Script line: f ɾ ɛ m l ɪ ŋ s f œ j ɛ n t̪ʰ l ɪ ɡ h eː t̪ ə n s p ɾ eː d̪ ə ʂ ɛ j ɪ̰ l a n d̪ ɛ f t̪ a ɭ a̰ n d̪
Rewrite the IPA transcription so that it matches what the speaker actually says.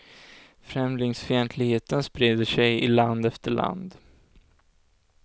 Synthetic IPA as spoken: f ɾ ɛ m l ɪ ŋ s f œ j ɛ n t̪ʰ l ɪ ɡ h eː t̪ ə n s p ɾ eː d̪ ə ʂ ɛ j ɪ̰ l a n d̪ ɛ f t̪ ə ɭ a̰ n d̪